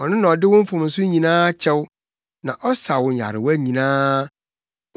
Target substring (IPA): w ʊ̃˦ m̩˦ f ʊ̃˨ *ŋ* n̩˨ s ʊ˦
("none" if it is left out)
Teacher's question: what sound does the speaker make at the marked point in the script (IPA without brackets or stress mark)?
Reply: m